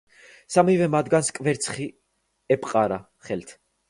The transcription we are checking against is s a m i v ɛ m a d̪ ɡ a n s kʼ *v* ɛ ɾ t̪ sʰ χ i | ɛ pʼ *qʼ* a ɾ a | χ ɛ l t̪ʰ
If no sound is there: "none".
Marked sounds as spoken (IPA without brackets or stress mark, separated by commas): v, qʼ